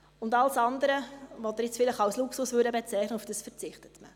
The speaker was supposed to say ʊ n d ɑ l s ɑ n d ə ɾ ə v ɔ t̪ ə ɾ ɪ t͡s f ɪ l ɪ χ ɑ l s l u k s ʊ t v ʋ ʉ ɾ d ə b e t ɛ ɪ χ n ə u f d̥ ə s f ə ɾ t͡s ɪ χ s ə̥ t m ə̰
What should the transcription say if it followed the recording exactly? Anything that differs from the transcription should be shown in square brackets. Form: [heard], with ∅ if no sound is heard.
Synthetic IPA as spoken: ʊ n d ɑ l s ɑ n d ə ɾ ə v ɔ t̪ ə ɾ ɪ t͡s f ɪ l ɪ χ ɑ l s l u k s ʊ [s] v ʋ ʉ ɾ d ə b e [t͡s] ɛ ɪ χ n ə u f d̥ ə s f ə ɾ t͡s ɪ χ [t] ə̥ t m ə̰

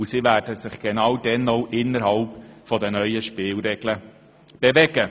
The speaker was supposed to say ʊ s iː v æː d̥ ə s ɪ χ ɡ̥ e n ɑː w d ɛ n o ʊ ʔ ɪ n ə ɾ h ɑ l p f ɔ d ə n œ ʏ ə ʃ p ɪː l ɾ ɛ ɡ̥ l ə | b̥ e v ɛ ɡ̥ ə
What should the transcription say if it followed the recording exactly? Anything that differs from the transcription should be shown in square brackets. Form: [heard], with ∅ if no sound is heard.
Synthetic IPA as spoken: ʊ s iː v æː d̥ ə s ɪ χ ɡ̥ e n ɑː w d ɛ n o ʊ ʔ ɪ n ə ɾ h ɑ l p f ɔ d ə n œ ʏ ə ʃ p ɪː l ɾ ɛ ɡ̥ l ə | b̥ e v ɛ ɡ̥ ə

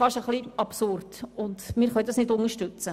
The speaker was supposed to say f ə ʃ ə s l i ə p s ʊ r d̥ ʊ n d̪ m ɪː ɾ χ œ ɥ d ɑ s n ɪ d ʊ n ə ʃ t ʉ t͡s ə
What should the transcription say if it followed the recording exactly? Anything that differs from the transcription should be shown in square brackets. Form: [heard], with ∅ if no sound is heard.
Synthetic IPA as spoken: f [ɑ] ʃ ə [χ] l i [ɑ] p s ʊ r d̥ ʊ n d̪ m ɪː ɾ χ œ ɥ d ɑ s n ɪ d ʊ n ə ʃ t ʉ t͡s ə

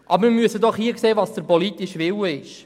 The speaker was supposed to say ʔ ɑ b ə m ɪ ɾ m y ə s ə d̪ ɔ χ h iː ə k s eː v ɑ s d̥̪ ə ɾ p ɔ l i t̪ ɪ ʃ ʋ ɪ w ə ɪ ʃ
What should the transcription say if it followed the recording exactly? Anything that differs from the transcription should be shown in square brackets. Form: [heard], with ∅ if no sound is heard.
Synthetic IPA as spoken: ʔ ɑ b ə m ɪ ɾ m y ə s ə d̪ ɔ χ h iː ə k s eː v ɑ s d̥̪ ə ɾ p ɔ l i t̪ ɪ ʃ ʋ ɪ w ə ɪ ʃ

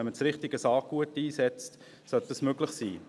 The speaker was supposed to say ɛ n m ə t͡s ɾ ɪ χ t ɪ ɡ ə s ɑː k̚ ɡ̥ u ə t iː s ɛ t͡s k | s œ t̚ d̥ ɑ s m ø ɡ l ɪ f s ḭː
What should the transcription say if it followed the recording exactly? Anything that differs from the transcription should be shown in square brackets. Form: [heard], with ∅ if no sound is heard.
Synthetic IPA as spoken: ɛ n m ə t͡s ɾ ɪ χ t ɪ ɡ ə s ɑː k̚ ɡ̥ u ə t iː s ɛ t͡s [t] | s œ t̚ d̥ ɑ s m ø ɡ l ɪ [χ] s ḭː

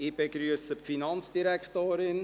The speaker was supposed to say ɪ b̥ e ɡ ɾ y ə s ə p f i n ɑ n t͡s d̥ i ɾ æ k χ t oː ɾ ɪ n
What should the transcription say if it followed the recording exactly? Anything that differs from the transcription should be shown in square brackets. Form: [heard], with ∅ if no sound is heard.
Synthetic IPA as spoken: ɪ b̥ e ɡ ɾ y ə s ə p f i n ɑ n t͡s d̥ i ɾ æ k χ t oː ɾ ɪ n

